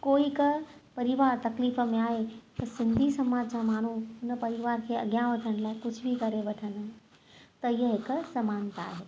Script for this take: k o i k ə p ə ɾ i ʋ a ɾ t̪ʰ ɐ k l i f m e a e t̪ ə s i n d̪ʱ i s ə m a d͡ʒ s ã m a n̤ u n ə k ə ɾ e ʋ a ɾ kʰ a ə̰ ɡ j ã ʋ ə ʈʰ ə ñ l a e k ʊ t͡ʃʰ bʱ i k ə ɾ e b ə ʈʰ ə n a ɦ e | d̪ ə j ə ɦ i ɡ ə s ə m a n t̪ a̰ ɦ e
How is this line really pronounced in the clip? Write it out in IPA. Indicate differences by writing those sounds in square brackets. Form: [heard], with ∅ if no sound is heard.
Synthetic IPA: k o i k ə p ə ɾ i ʋ a ɾ [t̪] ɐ k l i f m e a e t̪ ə s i n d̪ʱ i s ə m a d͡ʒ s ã m a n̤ u n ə [p] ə ɾ [i] ʋ a ɾ kʰ [e] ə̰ ɡ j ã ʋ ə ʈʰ ə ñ l a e k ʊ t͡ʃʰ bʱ i k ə ɾ e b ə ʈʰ ə n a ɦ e | [t̪] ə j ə ɦ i [k] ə s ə m a n t̪ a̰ ɦ e